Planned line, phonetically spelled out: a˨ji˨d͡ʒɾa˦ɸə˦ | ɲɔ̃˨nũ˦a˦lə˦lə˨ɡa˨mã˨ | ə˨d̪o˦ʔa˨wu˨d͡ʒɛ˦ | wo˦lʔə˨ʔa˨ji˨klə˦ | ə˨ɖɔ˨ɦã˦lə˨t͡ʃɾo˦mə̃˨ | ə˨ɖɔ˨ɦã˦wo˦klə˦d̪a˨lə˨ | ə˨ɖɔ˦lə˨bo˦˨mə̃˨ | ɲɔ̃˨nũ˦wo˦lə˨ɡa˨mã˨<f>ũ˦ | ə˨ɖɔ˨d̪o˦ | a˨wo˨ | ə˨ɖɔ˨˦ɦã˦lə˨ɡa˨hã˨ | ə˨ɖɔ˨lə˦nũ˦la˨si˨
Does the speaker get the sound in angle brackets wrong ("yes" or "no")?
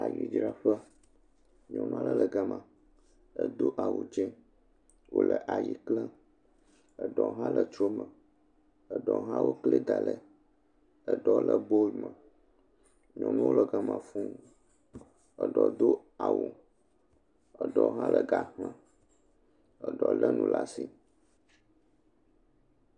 no